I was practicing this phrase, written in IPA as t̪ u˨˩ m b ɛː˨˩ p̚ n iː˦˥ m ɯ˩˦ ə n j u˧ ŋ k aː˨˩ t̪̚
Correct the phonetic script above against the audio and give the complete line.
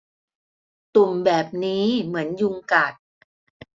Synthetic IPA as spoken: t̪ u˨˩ m b ɛː˨˩ p̚ n iː˦˥ m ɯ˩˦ ə n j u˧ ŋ k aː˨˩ t̪̚